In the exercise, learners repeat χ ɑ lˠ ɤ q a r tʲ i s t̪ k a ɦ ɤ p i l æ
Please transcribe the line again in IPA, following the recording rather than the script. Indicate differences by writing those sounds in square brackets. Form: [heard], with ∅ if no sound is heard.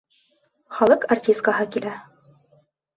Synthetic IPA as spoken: χ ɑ lˠ ɤ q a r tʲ i s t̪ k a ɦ ɤ [k] i l æ